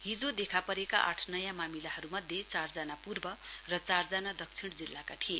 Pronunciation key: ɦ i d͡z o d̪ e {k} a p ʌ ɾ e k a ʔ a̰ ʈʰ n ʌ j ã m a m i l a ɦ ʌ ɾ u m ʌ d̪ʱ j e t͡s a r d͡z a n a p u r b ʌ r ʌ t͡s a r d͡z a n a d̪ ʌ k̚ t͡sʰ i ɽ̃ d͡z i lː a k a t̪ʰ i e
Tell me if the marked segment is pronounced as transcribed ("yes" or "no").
no